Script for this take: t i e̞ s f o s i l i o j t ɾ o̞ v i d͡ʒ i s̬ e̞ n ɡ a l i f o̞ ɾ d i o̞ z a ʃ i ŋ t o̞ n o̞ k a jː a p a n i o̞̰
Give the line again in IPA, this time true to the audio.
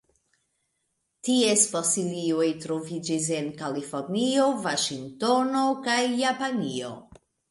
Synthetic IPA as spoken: t i e̞ s f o s i l i o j t ɾ o̞ v i d͡ʒ i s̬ e̞ n k a l i f o̞ ɾ n i o̞ v a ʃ i ŋ t o̞ n o̞ k a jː a p a n i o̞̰